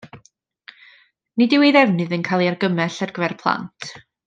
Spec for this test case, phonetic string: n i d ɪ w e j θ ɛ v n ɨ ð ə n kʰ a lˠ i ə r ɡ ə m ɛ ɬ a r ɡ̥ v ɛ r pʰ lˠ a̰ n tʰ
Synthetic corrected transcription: n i d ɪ w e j ð ɛ v n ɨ ð ə n kʰ a lˠ i a r ɡ ə m ɛ ɬ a r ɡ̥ v ɛ r pʰ lˠ a̰ n tʰ